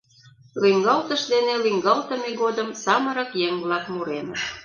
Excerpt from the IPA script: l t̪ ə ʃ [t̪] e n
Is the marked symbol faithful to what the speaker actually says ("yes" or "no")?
no